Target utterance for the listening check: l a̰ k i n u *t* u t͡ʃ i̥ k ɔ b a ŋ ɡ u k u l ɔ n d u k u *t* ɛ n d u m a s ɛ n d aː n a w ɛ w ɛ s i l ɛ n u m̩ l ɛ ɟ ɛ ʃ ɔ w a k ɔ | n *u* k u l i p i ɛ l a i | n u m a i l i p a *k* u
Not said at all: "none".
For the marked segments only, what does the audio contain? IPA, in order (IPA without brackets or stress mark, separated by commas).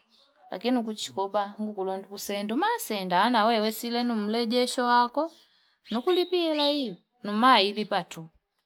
k, s, u, t